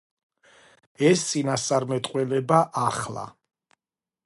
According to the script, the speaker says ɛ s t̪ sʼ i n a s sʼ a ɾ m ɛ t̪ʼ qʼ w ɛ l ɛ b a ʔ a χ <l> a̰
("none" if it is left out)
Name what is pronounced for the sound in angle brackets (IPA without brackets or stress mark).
l